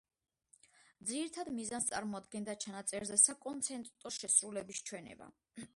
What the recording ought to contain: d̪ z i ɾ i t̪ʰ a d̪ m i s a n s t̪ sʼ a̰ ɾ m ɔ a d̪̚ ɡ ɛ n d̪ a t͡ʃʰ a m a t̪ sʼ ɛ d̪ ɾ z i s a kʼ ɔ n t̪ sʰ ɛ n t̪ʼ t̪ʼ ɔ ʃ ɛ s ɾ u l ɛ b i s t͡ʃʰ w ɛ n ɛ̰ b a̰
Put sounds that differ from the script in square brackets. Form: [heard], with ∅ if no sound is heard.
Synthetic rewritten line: d̪ z i ɾ i t̪ʰ a d̪ m i [z] a n s t̪ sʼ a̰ ɾ m ɔ a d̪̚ ɡ ɛ n d̪ a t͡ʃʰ a [n] a t̪ sʼ ɛ [∅] ɾ z [ɛ] s a kʼ ɔ n t̪ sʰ ɛ n t̪ʼ t̪ʼ ɔ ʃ ɛ s ɾ u l ɛ b i s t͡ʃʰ w ɛ n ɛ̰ b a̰